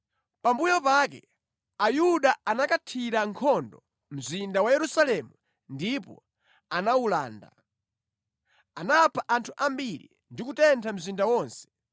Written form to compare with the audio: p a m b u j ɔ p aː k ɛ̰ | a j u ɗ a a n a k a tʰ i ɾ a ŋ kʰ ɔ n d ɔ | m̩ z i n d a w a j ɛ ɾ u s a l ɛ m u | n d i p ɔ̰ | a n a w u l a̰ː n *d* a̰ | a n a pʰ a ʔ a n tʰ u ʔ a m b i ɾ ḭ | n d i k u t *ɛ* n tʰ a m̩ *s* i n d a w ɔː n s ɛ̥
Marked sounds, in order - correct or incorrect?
correct, correct, incorrect: z

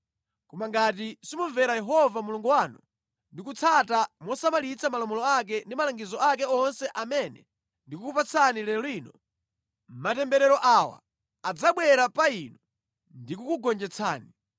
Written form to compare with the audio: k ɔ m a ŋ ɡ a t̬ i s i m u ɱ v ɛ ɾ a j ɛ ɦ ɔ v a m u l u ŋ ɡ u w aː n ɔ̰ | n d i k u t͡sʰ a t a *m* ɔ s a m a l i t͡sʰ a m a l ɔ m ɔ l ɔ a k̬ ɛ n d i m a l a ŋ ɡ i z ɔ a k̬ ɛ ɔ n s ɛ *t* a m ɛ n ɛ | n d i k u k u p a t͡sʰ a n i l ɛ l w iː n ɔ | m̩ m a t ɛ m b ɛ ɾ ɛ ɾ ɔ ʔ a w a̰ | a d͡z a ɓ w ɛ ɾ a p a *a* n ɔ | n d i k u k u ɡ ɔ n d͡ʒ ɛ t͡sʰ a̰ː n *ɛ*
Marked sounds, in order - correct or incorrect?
correct, incorrect: ʔ, incorrect: i, incorrect: i

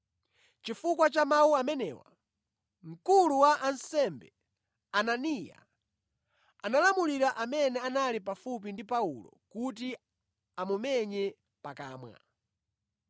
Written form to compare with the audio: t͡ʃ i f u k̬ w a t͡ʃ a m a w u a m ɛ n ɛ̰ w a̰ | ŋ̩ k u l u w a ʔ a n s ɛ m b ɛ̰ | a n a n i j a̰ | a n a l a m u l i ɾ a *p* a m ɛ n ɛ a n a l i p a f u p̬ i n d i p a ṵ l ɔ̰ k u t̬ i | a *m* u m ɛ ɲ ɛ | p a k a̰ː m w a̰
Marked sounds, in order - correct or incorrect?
incorrect: ʔ, correct

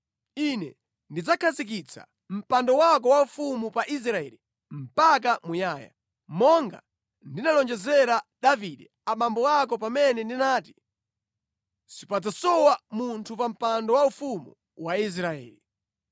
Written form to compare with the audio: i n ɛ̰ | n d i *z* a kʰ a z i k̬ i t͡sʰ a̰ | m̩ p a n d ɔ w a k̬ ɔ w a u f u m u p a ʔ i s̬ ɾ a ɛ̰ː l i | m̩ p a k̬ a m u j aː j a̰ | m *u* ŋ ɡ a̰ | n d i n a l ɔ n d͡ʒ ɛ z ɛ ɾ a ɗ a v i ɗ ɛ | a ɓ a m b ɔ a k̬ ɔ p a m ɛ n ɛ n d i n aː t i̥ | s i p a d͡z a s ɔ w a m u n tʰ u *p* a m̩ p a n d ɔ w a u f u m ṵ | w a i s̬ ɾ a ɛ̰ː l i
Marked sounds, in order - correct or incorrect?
incorrect: d͡z, incorrect: ɔ, correct

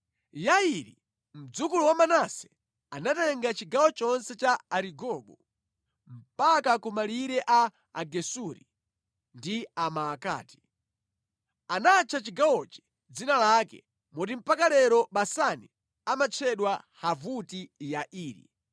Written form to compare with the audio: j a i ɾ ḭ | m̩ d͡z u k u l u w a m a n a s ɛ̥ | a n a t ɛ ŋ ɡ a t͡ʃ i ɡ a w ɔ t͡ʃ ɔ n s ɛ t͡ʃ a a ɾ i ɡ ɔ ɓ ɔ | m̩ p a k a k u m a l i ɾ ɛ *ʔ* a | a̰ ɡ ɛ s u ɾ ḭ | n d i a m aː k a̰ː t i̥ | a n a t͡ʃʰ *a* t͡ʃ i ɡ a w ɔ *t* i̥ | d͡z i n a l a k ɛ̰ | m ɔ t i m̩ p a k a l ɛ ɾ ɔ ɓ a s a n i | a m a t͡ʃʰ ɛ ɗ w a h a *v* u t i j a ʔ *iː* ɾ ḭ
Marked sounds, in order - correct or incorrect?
correct, correct, incorrect: t͡ʃ, correct, correct

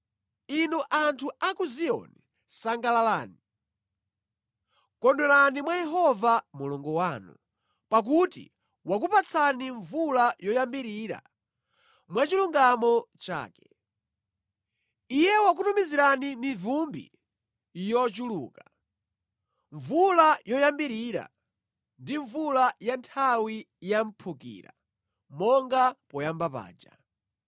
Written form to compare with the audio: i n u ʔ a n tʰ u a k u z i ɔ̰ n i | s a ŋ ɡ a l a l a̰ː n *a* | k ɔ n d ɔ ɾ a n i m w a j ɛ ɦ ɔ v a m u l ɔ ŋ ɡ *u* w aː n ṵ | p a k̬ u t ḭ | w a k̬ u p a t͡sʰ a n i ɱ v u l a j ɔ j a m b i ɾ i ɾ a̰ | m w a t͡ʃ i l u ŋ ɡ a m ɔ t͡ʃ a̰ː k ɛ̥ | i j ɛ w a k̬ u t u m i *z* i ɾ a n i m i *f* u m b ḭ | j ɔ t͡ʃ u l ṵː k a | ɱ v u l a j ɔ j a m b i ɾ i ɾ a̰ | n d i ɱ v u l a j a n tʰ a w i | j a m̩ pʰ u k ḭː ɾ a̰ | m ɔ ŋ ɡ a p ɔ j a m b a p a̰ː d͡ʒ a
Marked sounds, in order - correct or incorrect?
incorrect: i, incorrect: ɔ, correct, incorrect: v

